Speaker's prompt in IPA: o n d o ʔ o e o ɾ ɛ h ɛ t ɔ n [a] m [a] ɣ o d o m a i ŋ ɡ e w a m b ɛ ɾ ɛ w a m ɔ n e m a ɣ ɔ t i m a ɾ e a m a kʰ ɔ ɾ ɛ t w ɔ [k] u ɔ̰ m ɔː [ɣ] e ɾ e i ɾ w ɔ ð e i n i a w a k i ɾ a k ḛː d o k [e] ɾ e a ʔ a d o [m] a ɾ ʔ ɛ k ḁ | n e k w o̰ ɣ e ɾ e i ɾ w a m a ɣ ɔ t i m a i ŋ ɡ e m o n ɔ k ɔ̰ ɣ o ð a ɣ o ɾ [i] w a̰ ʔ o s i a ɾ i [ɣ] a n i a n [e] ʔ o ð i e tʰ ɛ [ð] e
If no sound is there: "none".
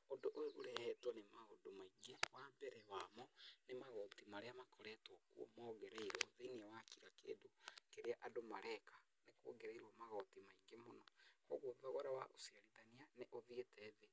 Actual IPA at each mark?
e, a, k, ɣ, e, m, a, ð, e, ð

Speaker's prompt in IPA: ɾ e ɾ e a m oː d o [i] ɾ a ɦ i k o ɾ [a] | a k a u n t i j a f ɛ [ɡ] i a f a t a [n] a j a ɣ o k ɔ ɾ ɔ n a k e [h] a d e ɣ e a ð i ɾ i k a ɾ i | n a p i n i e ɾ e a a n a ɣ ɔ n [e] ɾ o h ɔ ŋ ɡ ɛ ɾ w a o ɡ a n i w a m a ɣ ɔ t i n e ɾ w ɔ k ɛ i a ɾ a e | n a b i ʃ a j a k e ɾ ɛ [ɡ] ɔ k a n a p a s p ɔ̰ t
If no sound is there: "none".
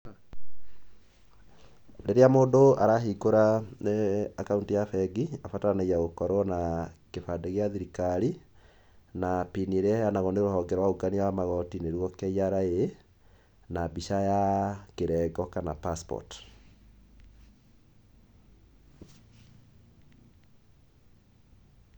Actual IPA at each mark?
a, a, ɡ, n, f, e, ɡ

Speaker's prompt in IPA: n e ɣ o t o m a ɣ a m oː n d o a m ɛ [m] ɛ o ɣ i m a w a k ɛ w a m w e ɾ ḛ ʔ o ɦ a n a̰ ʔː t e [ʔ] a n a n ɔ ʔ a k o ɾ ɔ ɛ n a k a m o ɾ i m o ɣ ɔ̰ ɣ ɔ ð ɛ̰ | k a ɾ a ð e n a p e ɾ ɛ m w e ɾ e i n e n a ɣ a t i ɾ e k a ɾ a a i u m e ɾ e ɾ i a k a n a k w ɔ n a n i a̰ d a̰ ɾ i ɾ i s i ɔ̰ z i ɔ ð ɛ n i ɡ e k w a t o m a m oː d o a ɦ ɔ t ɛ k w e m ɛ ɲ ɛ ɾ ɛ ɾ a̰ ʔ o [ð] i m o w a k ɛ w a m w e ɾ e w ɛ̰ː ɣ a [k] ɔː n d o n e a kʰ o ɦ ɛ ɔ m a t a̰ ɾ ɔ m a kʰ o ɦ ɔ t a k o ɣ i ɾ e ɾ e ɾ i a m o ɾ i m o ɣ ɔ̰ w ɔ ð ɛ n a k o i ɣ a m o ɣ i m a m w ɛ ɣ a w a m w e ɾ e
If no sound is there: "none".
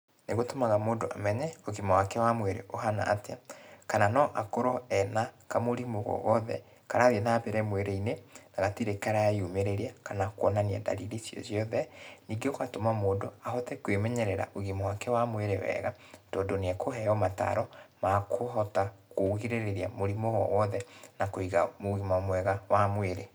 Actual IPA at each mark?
ɲ, k, ɣ, t

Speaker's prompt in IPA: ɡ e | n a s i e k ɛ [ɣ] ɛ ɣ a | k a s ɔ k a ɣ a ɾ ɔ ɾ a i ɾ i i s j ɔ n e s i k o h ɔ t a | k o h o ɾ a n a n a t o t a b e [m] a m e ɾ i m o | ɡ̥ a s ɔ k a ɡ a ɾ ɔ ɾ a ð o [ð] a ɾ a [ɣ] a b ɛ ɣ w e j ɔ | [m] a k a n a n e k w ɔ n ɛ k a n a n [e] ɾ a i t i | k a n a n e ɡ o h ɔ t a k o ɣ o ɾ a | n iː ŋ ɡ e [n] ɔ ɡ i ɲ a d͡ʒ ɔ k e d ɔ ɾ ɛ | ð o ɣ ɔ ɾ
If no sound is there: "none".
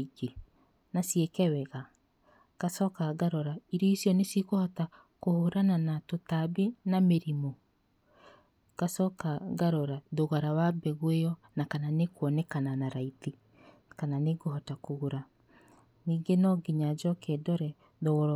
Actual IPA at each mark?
w, n, ɣ, w, n, a, n

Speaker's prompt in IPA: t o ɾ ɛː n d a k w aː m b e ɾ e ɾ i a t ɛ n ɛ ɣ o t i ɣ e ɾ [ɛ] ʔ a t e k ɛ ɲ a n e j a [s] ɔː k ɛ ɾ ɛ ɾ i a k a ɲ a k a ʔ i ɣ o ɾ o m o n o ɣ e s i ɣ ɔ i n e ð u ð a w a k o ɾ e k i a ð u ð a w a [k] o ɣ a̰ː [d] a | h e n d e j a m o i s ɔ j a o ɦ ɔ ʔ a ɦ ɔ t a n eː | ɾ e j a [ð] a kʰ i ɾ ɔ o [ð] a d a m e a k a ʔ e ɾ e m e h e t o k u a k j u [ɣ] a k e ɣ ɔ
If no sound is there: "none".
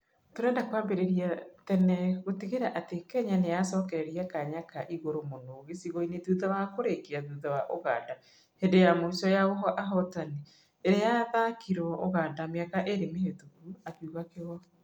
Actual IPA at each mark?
a, s, ʔ, d, ð, ɣ, ɣ

